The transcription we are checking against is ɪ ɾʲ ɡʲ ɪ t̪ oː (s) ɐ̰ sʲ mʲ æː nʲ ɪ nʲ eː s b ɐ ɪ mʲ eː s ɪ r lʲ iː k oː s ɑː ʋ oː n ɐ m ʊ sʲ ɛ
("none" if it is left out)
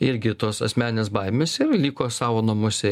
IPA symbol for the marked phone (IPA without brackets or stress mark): s